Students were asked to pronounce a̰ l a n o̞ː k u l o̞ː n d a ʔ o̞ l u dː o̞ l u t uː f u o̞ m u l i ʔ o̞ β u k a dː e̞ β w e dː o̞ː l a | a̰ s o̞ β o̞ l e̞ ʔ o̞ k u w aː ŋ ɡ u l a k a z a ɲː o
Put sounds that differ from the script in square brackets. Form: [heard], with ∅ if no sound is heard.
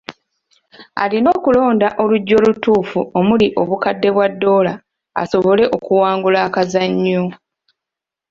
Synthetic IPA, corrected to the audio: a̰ l [i] n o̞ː k u l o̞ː n d a ʔ o̞ l u [ɟː] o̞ l u t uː f u o̞ m u l i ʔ o̞ β u k a dː e̞ β w [a] dː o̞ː l a | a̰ s o̞ β o̞ l e̞ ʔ o̞ k u w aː ŋ ɡ u l a k a z a ɲː o